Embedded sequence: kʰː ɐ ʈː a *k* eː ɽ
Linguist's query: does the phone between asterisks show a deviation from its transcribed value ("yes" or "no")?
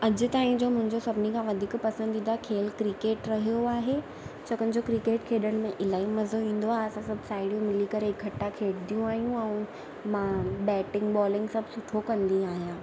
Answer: yes